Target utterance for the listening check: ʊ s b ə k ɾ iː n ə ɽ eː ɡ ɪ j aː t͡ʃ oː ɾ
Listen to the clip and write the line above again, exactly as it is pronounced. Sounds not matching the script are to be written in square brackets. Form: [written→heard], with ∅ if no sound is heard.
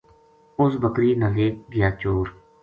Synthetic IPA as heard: ʊ s b ə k ɾ iː n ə [ɽ→l] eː ɡ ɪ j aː t͡ʃ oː ɾ